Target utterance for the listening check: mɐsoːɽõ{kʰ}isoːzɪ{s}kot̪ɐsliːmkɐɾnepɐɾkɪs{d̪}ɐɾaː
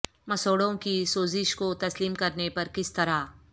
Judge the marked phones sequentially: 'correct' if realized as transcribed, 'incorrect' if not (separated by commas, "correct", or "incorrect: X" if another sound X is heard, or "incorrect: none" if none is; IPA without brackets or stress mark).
incorrect: k, incorrect: ʃ, incorrect: t̪